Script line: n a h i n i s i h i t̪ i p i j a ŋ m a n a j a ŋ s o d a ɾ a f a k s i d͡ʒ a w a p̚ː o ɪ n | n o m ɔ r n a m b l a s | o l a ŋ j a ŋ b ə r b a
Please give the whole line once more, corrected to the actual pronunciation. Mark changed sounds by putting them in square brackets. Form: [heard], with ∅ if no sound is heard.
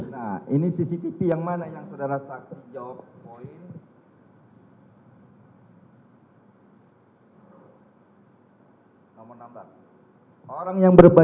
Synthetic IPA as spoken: n a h i n i s i [s] i t̪ i p i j a ŋ m a n a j a ŋ s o d a ɾ a [s] a k s i d͡ʒ a w a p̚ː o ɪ n | n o m ɔ r n a m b l a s | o [ɾ] a ŋ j a ŋ b ə r b a